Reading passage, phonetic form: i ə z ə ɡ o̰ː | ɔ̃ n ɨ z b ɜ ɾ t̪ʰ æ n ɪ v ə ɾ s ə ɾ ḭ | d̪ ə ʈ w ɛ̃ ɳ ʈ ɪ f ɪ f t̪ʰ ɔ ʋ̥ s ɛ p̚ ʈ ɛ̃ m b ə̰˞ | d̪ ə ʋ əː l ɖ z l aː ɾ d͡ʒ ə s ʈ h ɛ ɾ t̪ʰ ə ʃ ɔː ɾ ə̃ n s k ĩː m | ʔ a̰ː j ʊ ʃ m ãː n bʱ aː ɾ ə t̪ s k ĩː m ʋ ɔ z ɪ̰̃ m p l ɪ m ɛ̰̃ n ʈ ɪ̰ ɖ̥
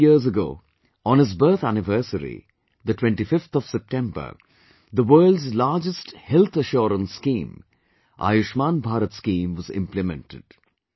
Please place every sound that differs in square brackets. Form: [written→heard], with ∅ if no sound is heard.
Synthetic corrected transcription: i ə z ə ɡ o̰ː | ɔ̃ n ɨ z b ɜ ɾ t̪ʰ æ n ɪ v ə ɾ s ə ɾ ḭ | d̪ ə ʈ w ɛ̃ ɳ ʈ [ɪ→i] f ɪ f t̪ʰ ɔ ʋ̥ s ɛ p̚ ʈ ɛ̃ m b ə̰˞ | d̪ ə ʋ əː l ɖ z l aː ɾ d͡ʒ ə s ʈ h ɛ [ɾ→l] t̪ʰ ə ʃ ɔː ɾ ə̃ n s k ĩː m | ʔ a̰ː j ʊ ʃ m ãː n bʱ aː ɾ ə t̪ s k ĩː m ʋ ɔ z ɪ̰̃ m p l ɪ m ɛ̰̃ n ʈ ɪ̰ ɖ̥

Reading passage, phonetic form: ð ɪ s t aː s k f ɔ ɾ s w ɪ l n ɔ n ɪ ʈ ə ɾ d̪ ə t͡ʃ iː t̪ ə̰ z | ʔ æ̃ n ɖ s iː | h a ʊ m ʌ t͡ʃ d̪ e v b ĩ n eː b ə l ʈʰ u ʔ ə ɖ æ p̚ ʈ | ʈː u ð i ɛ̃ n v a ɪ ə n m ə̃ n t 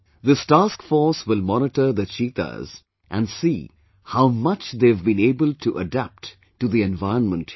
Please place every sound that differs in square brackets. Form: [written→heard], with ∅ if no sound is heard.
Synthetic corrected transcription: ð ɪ s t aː s k f ɔ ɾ s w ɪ l [n→m] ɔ n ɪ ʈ ə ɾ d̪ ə t͡ʃ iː t̪ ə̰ z | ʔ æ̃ n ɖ s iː | h a ʊ m ʌ t͡ʃ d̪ e v b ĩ n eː b ə l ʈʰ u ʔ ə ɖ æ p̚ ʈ | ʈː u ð i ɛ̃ n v a ɪ ə n m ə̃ n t

